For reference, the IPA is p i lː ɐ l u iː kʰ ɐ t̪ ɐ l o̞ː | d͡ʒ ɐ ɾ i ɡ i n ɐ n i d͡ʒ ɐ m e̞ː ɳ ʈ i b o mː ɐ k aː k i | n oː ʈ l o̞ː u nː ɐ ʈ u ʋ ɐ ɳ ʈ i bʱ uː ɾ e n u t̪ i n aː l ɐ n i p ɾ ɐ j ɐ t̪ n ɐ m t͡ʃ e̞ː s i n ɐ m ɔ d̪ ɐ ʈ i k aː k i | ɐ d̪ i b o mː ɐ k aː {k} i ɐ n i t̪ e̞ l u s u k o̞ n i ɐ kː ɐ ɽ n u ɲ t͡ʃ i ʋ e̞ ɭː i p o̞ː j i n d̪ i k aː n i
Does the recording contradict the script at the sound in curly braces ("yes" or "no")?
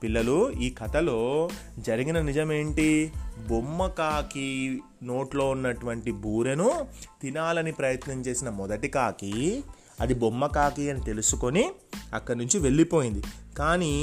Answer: no